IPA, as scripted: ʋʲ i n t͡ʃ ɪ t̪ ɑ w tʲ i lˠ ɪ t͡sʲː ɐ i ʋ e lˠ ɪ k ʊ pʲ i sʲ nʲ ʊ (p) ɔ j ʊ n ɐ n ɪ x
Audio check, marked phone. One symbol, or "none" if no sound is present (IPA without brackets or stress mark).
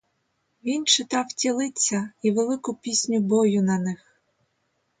b